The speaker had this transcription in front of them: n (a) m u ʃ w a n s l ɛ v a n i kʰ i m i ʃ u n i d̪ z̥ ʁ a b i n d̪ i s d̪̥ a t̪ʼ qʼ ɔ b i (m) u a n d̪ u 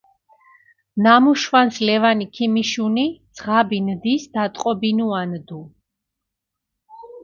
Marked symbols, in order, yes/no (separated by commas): yes, no